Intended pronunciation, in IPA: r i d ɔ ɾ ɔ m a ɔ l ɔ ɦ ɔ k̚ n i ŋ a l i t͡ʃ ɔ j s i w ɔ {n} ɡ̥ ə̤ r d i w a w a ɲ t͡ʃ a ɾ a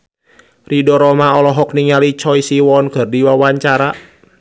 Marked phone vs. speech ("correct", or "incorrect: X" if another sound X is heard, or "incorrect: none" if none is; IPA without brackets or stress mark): correct